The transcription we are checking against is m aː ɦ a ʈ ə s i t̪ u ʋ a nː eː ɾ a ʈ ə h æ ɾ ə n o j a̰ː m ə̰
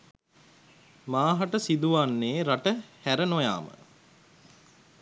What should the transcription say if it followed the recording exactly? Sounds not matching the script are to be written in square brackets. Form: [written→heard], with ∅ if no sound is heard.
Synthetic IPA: m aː ɦ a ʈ ə s i [t̪→d̪] u ʋ a nː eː ɾ a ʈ ə h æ ɾ ə n o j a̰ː m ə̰